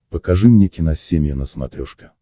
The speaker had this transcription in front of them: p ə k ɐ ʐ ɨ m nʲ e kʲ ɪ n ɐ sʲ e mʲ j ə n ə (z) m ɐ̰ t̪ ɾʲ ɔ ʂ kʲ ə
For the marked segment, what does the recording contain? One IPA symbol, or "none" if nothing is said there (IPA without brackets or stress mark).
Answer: s